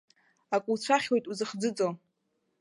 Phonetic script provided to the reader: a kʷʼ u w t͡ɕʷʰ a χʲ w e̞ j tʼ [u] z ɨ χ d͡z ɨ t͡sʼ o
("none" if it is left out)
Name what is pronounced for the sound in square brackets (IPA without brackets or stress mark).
u